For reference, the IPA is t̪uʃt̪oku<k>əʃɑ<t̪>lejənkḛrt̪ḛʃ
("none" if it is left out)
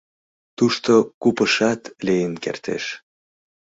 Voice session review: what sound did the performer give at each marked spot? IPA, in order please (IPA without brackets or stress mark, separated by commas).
p, t̪